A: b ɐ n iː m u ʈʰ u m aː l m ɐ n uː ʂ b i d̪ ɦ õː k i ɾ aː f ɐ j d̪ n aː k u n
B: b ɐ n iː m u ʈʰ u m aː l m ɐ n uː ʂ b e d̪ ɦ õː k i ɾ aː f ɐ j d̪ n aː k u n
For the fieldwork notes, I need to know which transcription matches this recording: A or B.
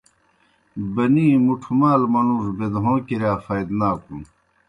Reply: B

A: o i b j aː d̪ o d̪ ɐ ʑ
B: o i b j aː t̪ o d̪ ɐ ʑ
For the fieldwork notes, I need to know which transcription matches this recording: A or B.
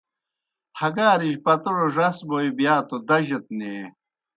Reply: B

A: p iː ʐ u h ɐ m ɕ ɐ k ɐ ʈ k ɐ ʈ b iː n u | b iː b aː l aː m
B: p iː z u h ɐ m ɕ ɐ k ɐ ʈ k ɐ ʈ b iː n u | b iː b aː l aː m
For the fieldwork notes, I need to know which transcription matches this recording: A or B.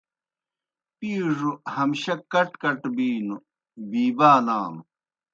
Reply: A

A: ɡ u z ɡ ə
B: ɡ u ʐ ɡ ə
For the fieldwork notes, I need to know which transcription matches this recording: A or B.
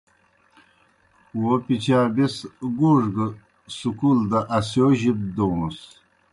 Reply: B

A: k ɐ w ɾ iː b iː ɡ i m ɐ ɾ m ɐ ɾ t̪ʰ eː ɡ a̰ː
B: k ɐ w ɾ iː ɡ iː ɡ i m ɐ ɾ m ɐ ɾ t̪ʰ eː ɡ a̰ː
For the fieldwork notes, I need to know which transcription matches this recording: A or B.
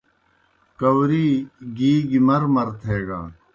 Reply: B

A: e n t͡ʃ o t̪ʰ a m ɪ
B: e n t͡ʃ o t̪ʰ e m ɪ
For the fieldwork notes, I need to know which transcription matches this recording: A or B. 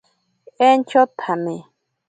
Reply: A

